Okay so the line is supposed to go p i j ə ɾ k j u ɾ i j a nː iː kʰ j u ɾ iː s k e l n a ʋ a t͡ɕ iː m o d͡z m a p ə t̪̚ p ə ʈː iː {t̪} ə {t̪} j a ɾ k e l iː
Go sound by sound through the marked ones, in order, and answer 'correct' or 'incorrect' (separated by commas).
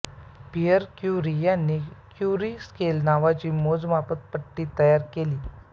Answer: correct, incorrect